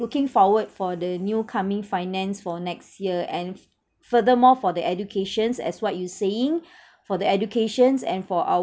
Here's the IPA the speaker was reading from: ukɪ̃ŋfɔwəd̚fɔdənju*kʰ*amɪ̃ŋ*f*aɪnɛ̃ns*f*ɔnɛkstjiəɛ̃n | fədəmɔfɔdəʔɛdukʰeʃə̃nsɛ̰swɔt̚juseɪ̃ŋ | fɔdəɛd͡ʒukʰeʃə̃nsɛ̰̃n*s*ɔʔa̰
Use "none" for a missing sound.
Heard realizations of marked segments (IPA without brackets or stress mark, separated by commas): kʰ, f, f, f